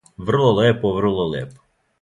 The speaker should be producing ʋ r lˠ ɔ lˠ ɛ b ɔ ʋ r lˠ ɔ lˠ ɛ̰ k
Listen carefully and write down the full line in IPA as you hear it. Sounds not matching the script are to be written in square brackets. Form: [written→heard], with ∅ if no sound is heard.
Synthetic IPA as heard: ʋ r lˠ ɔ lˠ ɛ [b→p] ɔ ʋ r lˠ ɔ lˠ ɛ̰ [k→p]